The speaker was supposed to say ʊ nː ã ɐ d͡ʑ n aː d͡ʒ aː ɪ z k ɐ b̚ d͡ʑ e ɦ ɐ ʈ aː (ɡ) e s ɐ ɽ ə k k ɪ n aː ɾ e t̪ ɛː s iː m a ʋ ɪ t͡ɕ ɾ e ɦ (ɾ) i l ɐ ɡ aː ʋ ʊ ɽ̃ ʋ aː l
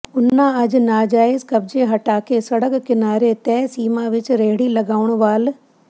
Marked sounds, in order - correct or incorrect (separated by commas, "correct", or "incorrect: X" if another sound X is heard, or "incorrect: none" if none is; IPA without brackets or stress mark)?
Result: incorrect: k, incorrect: ɽ